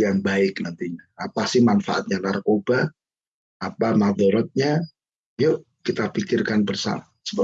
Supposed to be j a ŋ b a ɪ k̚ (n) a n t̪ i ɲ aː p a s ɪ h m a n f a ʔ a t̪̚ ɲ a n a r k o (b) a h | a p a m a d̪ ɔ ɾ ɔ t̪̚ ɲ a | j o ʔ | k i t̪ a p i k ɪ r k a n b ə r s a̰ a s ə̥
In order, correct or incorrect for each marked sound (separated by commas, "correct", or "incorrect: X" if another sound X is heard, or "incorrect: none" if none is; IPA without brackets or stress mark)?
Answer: correct, correct